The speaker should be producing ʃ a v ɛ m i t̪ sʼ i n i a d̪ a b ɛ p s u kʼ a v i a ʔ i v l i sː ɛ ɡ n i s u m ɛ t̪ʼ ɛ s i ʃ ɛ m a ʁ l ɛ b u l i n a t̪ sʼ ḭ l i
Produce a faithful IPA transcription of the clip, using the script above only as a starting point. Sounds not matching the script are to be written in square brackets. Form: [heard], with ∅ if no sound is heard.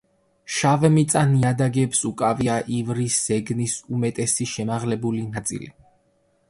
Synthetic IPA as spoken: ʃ a v ɛ m i t̪ sʼ [a] n i a d̪ a [ɡ] ɛ p s u kʼ a v i a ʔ i v [ɾ] i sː ɛ ɡ n i s u m ɛ t̪ʼ ɛ s i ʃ ɛ m a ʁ l ɛ b u l i n a t̪ sʼ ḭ l i